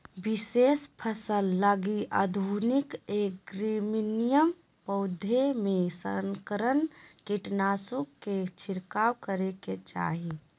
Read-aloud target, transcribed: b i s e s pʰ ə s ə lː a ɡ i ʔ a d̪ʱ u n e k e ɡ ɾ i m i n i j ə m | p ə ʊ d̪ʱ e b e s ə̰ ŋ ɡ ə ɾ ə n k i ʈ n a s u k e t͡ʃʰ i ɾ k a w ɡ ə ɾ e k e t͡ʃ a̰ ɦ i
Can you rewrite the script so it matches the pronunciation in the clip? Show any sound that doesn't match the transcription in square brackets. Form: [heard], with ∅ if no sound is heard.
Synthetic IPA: b i s e s pʰ ə s ə lː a ɡ i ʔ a d̪ʱ u n [i] k e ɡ ɾ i m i n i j ə m | p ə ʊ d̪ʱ e [m] e s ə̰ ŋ [k] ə ɾ ə n k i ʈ n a s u k e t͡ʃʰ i ɾ k a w [k] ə ɾ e k e t͡ʃ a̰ ɦ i